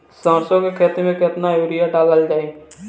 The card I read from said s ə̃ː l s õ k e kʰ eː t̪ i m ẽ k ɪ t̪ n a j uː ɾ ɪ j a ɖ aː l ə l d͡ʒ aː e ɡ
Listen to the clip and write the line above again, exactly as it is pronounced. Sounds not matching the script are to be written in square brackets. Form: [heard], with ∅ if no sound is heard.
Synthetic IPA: s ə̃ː [ɾ] s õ k e kʰ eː t̪ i m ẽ k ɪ t̪ n a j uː ɾ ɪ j a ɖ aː l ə l d͡ʒ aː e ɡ